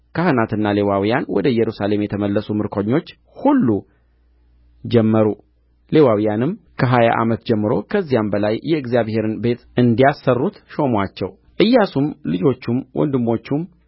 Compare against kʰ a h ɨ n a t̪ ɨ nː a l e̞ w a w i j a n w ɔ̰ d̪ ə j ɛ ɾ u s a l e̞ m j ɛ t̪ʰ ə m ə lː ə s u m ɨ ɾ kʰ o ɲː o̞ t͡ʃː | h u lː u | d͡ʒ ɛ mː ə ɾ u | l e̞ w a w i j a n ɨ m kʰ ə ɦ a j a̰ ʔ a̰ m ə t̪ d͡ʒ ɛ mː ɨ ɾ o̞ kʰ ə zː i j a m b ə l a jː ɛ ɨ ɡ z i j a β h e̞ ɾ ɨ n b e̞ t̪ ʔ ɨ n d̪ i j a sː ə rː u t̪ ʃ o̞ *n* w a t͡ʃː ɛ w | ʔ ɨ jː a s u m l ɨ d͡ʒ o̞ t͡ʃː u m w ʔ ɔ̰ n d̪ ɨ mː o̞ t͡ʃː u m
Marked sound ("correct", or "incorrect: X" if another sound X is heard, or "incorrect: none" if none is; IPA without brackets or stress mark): incorrect: m